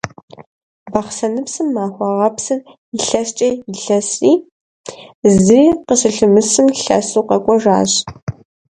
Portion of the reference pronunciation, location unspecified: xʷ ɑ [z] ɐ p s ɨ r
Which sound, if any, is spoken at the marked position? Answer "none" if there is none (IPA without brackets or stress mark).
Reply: ʁ